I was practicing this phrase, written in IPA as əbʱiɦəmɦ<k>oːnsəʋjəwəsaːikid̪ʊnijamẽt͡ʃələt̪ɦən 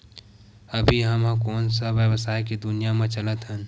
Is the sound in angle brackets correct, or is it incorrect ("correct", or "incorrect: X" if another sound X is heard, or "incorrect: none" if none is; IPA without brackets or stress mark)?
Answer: correct